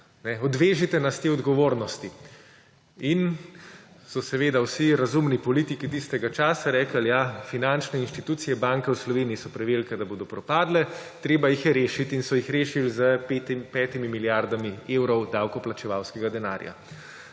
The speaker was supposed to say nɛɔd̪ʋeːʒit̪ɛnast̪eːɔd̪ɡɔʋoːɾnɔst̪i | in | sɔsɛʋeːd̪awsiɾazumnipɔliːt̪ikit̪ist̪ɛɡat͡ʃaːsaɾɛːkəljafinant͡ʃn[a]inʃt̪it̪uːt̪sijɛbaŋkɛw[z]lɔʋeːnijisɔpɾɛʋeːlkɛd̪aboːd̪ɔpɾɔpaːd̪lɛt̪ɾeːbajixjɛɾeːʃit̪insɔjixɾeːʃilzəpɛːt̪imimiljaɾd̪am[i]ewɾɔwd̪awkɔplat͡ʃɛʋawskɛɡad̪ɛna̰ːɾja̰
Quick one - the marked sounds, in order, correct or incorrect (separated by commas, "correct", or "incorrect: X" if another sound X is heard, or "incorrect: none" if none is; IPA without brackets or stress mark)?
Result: incorrect: ɛ, incorrect: s, correct